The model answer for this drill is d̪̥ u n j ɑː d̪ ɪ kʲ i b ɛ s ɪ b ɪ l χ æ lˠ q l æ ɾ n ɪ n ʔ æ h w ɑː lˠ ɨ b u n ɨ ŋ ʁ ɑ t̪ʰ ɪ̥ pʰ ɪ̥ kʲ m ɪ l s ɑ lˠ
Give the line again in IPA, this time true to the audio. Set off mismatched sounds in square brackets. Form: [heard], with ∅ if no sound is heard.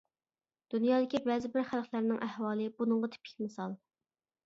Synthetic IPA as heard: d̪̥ u n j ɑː d̪ ɪ kʲ i b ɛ [z] ɪ b ɪ [ɾ] χ æ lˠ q l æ ɾ n ɪ [ŋ] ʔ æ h w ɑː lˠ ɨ b u n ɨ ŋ ʁ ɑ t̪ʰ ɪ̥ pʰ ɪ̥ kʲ m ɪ [∅] s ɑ lˠ